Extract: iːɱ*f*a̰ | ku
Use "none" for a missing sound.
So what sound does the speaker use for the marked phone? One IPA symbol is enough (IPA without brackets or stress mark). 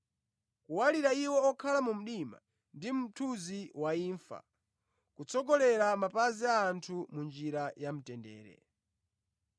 f